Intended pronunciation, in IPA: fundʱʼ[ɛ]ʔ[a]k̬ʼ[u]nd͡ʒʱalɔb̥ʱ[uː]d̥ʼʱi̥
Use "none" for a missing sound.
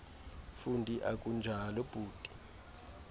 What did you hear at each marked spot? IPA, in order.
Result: i, a, u, uː

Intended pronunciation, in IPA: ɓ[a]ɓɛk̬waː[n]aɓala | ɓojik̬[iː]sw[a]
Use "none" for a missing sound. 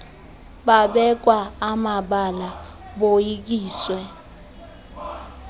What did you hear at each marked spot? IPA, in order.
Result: a, m, iː, ɛ

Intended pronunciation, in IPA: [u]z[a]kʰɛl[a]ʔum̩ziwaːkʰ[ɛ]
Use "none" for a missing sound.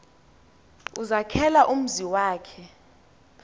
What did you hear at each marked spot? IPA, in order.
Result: u, a, a, ɛ

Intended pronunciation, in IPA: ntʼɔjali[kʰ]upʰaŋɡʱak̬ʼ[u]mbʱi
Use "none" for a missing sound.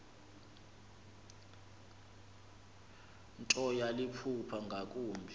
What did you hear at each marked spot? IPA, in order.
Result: pʰ, uː

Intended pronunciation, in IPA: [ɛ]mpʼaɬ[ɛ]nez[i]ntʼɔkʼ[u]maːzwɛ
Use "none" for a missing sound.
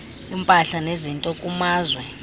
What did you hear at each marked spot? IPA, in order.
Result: i, a, i, u

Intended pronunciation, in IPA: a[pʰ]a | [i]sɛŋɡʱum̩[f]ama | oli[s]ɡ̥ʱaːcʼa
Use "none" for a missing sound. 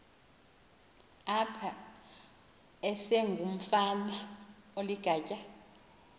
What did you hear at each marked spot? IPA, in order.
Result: pʰ, ɛ, f, none

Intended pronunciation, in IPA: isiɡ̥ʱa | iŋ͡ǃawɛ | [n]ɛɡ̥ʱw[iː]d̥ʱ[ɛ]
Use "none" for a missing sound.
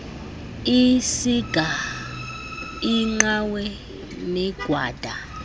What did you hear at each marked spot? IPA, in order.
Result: n, aː, a

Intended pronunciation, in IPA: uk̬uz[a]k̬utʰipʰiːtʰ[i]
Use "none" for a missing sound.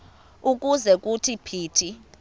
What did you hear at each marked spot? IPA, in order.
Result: ɛ, i

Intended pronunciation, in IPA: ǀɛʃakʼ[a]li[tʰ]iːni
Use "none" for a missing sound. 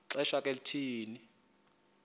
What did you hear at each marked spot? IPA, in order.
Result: e, tʰ

